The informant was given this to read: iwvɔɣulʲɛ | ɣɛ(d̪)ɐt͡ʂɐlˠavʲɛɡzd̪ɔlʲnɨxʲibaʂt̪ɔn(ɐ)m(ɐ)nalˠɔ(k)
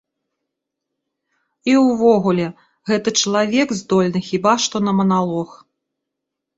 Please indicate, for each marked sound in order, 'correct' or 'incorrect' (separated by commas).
incorrect, correct, correct, incorrect